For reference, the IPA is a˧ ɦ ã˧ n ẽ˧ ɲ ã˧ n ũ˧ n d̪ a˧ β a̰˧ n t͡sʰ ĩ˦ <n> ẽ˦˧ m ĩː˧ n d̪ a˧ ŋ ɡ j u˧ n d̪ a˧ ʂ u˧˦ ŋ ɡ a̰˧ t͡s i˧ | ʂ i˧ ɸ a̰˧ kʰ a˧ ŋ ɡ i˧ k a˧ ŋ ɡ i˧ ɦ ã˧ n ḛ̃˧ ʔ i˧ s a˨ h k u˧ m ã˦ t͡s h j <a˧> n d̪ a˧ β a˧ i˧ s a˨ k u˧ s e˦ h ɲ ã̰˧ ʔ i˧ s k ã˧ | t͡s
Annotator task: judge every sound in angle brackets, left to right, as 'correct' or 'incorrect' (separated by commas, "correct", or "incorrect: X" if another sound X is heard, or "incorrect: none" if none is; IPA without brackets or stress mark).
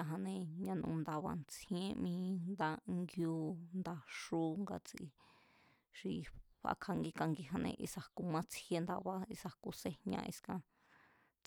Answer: incorrect: none, incorrect: e˧